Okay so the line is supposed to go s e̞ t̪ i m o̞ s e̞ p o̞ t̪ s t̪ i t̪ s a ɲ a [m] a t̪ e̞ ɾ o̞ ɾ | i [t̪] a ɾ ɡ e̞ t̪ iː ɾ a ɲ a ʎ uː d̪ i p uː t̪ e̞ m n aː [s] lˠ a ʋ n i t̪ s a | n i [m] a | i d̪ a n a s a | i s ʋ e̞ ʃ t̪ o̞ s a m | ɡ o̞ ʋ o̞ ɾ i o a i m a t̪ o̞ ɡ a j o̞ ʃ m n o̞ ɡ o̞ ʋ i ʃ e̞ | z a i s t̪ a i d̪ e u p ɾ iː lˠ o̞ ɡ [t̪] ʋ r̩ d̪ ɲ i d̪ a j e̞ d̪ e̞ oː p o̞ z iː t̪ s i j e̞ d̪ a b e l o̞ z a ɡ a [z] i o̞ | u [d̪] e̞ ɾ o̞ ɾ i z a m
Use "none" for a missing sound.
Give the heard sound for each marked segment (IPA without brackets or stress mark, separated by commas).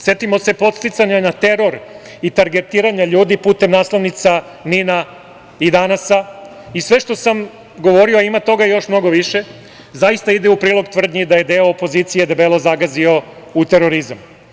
n, t̪, s, n, t̪, z, t̪